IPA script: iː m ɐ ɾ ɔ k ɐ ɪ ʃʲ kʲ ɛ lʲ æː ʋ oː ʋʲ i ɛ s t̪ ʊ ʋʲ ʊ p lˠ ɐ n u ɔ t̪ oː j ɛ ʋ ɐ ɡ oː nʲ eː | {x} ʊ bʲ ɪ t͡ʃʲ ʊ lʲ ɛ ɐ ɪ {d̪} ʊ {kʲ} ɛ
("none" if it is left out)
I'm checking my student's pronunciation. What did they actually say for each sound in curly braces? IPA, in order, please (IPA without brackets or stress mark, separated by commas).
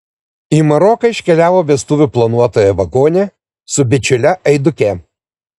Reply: s, d̪, kʲ